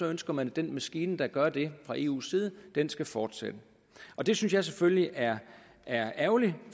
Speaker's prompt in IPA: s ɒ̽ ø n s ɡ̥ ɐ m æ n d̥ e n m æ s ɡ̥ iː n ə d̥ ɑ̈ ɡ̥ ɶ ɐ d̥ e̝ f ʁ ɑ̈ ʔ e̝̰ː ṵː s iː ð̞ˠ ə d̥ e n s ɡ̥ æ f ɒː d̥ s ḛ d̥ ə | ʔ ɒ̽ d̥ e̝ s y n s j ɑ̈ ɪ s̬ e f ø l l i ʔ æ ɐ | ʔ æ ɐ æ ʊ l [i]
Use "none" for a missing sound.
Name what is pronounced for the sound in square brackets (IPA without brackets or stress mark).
i